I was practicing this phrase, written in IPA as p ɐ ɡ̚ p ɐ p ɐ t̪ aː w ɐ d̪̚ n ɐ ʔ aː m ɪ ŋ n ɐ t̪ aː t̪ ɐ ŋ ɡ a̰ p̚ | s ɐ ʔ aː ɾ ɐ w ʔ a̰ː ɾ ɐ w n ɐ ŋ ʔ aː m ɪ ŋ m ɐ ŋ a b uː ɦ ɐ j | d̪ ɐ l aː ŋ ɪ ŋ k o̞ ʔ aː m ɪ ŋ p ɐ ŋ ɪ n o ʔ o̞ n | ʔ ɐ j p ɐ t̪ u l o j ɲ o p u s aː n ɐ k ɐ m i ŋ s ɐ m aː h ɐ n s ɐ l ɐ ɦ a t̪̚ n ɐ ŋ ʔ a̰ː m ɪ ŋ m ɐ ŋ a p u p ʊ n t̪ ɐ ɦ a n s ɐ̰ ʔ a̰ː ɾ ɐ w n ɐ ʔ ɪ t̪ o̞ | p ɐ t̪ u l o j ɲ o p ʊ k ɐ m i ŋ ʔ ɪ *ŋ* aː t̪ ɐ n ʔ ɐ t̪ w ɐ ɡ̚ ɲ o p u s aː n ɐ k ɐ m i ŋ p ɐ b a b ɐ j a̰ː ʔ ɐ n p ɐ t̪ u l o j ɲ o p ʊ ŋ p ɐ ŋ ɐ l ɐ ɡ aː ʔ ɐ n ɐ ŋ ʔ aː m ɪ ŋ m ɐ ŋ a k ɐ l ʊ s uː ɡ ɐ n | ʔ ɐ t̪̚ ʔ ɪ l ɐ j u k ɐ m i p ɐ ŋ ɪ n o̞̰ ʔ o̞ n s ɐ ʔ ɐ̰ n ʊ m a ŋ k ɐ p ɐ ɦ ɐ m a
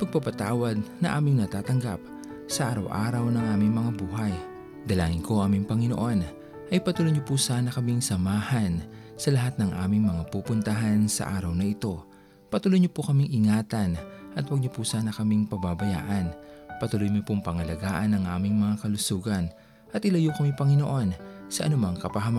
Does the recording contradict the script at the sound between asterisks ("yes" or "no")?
no